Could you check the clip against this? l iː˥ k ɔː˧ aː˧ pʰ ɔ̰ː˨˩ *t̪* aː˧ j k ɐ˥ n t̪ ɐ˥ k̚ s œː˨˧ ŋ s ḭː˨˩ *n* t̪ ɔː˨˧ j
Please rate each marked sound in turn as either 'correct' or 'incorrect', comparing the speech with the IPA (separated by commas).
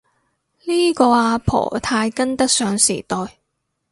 incorrect, incorrect